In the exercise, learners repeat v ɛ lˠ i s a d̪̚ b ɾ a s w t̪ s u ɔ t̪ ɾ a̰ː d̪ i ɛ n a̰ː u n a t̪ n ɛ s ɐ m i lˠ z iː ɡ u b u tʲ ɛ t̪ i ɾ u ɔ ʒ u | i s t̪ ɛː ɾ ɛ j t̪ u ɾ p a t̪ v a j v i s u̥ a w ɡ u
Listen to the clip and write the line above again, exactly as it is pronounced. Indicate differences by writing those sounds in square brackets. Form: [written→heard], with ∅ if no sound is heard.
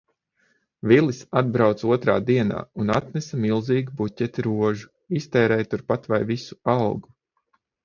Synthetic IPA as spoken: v [ɛ→i] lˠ i s a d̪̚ b ɾ a [s→∅] w t̪ s u ɔ t̪ ɾ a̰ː d̪ i ɛ n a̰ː u n a t̪ n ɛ s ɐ m i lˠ z iː ɡ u b u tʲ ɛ t̪ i ɾ u ɔ ʒ u | i s t̪ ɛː ɾ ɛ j t̪ u ɾ p a t̪ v a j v i s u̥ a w ɡ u